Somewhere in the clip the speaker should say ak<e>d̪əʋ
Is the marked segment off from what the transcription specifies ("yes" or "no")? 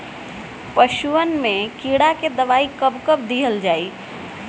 no